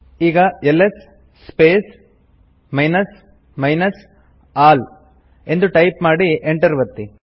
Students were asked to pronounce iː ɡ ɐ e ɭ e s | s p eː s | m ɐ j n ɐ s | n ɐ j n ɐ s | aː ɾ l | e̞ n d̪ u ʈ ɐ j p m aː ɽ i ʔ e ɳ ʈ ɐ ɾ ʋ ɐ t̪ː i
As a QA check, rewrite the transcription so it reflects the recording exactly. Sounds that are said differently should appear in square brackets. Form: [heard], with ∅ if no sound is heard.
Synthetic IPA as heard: iː ɡ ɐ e [l] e s | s p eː s | m ɐ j n ɐ s | [m] ɐ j n ɐ s | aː [∅] l | e̞ n d̪ u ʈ ɐ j p m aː ɽ i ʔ e ɳ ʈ ɐ ɾ ʋ ɐ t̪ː i